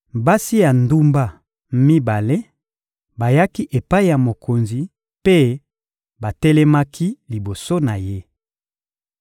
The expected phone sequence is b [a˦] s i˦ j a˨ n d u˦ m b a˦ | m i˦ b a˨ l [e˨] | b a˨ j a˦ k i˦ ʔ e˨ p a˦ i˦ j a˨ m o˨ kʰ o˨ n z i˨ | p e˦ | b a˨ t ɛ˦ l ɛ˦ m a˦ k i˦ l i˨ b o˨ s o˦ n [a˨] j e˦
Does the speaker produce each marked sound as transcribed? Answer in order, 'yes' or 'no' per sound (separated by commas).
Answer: yes, no, yes